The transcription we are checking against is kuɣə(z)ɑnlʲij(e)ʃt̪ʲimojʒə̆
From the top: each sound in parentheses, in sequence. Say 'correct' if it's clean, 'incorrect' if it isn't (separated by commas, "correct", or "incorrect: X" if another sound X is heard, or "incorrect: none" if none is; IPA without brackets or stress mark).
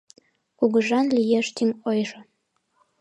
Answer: incorrect: ʒ, correct